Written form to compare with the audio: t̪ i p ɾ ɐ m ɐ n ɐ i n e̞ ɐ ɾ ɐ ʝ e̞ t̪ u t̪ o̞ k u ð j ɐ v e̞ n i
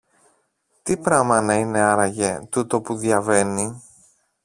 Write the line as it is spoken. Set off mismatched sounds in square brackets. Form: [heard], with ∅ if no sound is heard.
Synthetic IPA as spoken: t̪ i p ɾ ɐ m ɐ n ɐ i n e̞ ɐ ɾ ɐ ʝ e̞ t̪ u t̪ o̞ [p] u ð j ɐ v e̞ n i